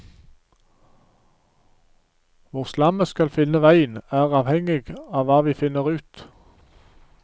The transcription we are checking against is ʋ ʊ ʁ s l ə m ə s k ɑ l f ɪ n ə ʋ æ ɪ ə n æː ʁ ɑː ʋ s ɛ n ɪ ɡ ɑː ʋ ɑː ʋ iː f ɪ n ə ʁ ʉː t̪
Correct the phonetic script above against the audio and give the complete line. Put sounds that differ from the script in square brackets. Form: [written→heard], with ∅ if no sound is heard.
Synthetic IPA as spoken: ʋ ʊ ʁ s l [ə→ɑ] m ə s k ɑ l f ɪ n ə ʋ æ ɪ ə n æː ʁ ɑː ʋ [s→h] ɛ [n→ŋ] ɪ ɡ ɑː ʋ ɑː ʋ iː f ɪ n ə ʁ ʉː t̪